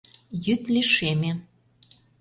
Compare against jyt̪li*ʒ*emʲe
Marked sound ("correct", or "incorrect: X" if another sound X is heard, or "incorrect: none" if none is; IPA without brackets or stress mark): incorrect: ʃ